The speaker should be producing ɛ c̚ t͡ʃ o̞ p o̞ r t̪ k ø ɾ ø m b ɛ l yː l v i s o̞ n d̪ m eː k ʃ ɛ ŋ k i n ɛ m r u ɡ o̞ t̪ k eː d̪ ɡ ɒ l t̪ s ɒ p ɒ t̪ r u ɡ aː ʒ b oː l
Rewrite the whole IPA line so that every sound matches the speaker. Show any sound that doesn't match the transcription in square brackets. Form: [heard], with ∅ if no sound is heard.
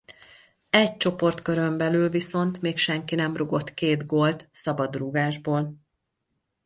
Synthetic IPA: ɛ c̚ t͡ʃ o̞ p o̞ r t̪ k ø ɾ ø m b ɛ l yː l v i s o̞ n [t̪] m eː k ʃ ɛ ŋ k i n ɛ m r u ɡ o̞ t̪ k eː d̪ ɡ [o] l t̪ s ɒ [b] ɒ [d̪] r u ɡ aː ʒ b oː l